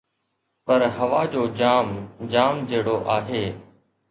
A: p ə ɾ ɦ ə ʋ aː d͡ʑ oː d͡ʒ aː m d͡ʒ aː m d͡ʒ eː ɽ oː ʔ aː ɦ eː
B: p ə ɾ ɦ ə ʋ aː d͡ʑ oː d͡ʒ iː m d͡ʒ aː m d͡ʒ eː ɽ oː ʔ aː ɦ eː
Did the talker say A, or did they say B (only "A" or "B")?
A